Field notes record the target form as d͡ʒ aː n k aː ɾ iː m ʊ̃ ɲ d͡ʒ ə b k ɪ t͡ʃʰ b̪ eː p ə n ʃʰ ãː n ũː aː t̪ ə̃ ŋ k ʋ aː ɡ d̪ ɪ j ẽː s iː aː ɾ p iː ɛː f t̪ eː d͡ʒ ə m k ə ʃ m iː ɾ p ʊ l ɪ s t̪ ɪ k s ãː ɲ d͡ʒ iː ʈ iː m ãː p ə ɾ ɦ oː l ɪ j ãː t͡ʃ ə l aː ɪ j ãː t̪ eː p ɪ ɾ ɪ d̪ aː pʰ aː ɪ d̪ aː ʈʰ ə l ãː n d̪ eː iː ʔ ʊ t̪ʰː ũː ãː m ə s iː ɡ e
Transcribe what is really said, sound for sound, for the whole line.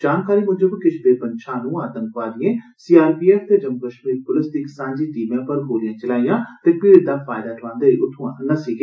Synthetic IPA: d͡ʒ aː n k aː ɾ iː m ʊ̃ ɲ d͡ʒ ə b k ɪ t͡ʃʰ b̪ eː p ə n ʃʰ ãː n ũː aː t̪ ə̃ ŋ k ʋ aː d̪ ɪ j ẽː s iː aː ɾ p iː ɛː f t̪ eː d͡ʒ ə m k ə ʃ m iː ɾ p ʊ l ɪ s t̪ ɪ k s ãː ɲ d͡ʒ iː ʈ iː m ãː p ə ɾ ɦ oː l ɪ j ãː t͡ʃ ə l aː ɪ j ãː t̪ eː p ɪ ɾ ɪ d̪ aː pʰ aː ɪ d̪ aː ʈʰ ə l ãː n d̪ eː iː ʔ ʊ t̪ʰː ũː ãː n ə s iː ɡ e